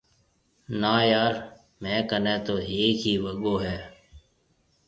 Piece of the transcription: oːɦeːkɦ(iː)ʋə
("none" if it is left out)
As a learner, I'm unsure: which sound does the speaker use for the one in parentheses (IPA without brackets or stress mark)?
iː